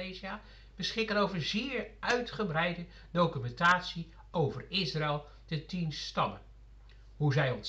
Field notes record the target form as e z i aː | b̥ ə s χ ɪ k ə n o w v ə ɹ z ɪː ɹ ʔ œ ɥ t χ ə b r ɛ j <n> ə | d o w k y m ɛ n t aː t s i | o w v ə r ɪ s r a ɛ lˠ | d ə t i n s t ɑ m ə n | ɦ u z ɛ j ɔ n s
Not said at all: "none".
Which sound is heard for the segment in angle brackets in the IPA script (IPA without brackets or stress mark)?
d